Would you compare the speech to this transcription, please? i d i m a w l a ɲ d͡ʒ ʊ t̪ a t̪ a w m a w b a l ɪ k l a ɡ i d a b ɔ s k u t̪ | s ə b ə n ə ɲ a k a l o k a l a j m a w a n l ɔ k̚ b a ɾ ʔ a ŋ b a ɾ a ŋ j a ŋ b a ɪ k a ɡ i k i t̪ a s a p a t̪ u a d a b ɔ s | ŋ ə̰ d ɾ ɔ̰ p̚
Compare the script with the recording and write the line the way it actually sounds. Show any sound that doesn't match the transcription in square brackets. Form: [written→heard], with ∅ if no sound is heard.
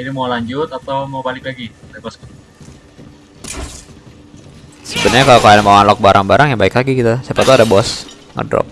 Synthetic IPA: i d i m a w l a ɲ d͡ʒ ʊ t̪ a t̪ a w m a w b a l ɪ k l a ɡ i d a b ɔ s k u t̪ | s ə b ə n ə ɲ a k a l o k a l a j m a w a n l ɔ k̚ b a ɾ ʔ a ŋ b a ɾ a ŋ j a ŋ b a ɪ k a ɡ i k i t̪ a s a p a t̪ u a d a b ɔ s | ŋ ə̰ d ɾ ɔ̰ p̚